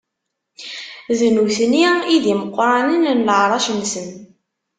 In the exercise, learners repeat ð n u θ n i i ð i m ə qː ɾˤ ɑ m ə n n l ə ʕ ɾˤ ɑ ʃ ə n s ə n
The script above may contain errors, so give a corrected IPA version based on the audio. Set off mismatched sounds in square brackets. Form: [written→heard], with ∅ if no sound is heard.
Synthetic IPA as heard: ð n u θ n i i ð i m ə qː ɾˤ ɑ [m→n] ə n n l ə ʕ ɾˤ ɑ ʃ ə n s ə n

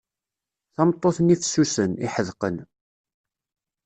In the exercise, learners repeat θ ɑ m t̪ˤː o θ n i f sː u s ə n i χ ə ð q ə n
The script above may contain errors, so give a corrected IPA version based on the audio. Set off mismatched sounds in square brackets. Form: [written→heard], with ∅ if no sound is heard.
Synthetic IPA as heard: θ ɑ m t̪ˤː o θ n i f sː u s ə n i [χ→ħ] ə ð q ə n

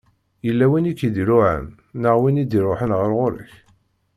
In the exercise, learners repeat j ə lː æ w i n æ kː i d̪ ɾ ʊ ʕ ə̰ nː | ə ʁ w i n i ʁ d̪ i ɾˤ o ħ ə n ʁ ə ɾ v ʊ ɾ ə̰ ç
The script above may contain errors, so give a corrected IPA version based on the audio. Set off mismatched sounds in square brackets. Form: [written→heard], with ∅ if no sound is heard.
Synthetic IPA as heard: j ə lː æ w i n [æ→i] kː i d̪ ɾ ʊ ʕ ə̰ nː | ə ʁ w i n i [ʁ→∅] d̪ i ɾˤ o ħ ə n ʁ ə ɾ [v→ʁ] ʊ ɾ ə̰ ç

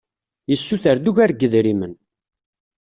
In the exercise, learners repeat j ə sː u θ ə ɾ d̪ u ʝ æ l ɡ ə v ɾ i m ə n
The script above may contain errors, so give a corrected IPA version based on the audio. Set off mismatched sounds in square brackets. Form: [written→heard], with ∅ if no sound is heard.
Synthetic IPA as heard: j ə sː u θ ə ɾ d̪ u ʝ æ [l→ɾ] ɡ ə [v→ð] ɾ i m ə n

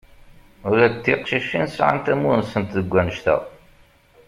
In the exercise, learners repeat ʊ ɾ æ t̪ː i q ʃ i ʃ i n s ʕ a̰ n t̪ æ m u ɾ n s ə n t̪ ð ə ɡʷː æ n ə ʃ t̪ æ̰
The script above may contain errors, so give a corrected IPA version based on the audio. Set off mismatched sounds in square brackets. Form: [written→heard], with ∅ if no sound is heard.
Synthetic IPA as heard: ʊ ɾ æ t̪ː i q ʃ i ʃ i n s ʕ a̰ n t̪ æ m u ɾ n s ə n t̪ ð ə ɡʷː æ n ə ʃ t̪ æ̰

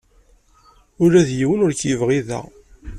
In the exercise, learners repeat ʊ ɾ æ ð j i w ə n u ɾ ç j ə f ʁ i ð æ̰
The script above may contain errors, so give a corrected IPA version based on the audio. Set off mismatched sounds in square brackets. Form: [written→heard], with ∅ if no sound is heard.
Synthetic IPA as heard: ʊ ɾ æ ð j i w ə n [u→ʊ] ɾ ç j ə [f→v] ʁ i ð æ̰

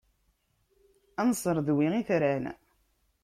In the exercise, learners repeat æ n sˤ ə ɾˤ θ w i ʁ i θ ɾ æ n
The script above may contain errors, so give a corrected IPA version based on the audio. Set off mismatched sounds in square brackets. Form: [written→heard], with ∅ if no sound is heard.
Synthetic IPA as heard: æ n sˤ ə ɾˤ [θ→ð] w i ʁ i θ ɾ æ n

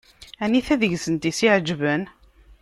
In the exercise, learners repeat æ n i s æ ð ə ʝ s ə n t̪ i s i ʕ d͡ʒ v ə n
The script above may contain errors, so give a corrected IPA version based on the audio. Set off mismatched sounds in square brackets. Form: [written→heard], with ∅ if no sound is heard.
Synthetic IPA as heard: æ n i [s→θ] æ ð ə ʝ s ə n t̪ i s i ʕ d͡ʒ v ə n

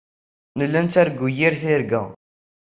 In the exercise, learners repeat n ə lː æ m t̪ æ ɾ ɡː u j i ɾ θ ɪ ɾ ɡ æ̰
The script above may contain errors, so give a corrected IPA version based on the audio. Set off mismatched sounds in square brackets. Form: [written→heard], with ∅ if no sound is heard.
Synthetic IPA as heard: n ə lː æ [m→n] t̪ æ ɾ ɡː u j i ɾ θ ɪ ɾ ɡ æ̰

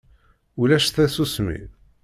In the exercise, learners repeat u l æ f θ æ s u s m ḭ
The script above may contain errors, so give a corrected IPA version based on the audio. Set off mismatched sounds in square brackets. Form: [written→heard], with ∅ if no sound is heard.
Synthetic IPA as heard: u l æ [f→ʃ] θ æ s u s m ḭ

